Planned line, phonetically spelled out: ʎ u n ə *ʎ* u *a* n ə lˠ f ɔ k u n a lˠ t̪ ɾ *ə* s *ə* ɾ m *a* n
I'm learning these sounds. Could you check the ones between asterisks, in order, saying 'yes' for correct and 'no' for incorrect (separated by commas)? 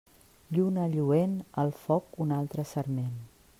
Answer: yes, no, yes, yes, no